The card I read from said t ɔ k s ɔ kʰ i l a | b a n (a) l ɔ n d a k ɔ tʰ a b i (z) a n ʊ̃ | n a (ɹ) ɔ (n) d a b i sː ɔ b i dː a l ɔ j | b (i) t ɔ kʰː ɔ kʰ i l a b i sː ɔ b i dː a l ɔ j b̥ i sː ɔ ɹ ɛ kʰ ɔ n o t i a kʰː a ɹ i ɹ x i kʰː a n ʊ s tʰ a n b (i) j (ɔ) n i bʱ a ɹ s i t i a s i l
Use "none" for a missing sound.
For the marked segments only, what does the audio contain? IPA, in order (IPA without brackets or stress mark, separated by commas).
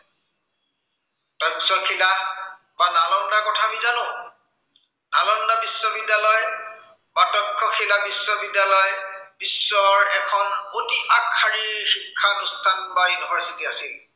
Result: a, z, l, n, a, a, u